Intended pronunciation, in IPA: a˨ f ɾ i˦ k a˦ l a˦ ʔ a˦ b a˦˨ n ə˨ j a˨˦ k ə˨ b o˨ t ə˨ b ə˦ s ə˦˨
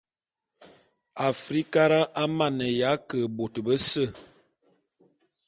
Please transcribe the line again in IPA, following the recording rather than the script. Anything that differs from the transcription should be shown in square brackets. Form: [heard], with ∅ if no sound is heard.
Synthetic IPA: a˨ f ɾ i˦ k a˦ [ɾ] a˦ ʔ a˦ [m] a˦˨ n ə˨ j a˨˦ k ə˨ b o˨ t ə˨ b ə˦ s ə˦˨